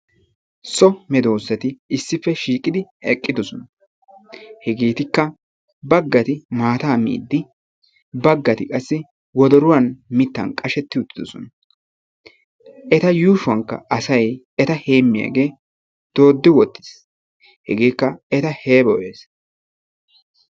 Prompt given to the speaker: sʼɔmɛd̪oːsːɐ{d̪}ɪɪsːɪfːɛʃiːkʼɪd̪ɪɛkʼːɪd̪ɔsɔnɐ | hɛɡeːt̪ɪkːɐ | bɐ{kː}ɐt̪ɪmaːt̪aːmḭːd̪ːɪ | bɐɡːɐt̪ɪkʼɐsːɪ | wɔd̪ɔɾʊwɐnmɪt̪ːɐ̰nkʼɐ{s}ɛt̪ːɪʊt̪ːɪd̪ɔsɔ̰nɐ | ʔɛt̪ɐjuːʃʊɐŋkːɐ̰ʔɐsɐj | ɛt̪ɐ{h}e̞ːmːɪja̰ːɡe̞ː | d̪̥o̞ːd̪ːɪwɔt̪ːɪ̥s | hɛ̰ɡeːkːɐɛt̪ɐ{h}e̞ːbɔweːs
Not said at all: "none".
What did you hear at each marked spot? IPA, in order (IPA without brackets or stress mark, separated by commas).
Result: t̪, ɡː, ʃ, h, h